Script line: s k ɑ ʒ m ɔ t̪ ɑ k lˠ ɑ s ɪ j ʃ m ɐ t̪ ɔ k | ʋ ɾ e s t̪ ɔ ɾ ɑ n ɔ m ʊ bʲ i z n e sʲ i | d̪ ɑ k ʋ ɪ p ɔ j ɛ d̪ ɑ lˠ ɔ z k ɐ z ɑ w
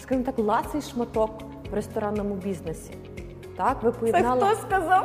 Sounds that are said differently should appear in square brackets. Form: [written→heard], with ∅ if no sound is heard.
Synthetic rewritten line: s k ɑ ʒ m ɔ t̪ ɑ k lˠ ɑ s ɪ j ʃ m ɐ t̪ ɔ k | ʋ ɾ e s t̪ ɔ ɾ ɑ n ɔ m ʊ bʲ i z n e sʲ i | [d̪→t̪] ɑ k ʋ ɪ p ɔ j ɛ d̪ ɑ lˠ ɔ [z→s] k ɐ z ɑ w